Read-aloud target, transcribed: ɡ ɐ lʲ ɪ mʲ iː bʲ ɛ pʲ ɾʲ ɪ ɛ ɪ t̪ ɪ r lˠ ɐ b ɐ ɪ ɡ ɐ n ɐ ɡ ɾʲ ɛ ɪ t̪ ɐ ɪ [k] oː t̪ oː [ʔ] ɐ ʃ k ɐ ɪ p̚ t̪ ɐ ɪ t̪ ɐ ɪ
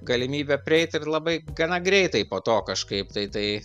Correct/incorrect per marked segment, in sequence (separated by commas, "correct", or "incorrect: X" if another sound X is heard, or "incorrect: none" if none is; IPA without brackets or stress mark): incorrect: p, incorrect: k